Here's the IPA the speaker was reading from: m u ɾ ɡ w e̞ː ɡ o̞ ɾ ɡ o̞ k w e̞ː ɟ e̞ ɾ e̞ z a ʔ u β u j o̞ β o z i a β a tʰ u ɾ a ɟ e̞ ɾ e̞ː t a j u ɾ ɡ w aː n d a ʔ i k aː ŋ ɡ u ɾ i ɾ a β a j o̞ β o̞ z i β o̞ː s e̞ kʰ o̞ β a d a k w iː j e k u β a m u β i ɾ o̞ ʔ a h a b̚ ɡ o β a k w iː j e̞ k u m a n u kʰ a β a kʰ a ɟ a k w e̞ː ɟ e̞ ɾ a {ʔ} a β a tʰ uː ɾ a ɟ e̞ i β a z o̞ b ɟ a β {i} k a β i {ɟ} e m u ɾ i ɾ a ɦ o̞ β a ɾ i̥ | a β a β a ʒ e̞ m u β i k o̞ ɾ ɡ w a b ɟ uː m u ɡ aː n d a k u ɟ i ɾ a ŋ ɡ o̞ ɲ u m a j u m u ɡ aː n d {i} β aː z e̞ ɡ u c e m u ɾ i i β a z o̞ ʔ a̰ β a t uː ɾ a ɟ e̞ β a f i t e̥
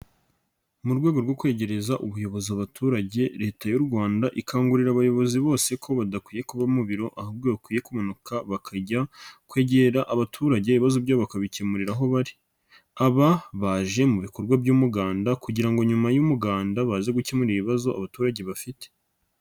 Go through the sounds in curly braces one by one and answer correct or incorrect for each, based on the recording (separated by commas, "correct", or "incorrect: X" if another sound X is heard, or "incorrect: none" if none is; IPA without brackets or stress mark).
correct, incorrect: a, incorrect: c, incorrect: a